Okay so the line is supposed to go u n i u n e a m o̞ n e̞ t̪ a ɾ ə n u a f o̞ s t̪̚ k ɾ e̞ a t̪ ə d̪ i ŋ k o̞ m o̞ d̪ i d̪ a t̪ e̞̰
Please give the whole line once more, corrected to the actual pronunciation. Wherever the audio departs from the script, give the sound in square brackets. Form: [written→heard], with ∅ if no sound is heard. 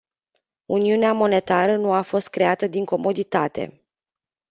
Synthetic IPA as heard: u n i u n e a m o̞ n e̞ t̪ a ɾ ə n u a f o̞ s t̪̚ k ɾ e̞ a t̪ ə d̪ i ŋ k o̞ m o̞ d̪ i [d̪→t̪] a t̪ e̞̰